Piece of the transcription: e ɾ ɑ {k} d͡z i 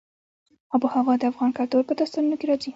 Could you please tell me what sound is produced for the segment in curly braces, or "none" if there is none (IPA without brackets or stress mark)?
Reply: none